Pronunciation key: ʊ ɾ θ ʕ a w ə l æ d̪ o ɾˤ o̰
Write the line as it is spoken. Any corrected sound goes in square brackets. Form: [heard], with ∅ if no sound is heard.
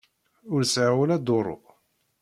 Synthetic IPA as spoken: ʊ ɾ [s] ʕ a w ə l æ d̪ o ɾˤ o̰